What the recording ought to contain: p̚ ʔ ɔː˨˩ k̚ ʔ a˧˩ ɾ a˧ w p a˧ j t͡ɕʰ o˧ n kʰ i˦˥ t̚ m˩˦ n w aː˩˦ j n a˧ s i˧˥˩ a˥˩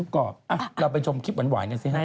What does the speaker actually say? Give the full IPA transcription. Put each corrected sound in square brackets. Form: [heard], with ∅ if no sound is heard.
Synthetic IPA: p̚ [k] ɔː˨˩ [p̚] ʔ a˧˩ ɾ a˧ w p a˧ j t͡ɕʰ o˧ [m] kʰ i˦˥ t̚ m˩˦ n w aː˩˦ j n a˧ s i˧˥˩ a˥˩